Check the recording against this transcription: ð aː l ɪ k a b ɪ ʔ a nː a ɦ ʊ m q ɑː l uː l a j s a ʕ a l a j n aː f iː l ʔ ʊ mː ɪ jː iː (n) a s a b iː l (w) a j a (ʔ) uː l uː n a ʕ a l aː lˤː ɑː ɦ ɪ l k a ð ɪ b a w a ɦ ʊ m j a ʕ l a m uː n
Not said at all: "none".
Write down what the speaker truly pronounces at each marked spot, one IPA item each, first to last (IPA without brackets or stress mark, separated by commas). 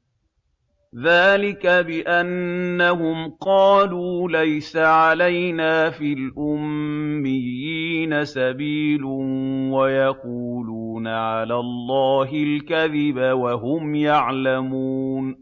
n, w, q